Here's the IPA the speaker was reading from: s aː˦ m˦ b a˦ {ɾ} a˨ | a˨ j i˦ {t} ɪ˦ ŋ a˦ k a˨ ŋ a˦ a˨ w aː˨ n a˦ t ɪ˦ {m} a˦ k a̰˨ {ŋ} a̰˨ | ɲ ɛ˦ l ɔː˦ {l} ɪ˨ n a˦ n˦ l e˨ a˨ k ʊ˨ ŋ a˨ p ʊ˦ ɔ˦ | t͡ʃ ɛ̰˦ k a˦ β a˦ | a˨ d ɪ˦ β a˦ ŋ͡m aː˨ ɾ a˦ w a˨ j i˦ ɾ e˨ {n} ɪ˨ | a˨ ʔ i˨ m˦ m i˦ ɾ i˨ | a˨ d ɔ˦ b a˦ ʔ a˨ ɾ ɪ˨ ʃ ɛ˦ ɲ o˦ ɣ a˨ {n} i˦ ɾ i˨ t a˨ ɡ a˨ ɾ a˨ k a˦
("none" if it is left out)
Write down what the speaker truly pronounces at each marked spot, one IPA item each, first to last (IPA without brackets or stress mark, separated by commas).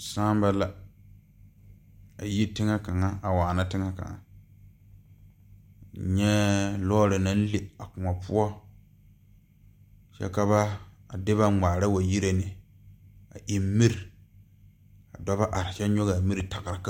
l, t, ŋ, ŋ, ɾ, n, m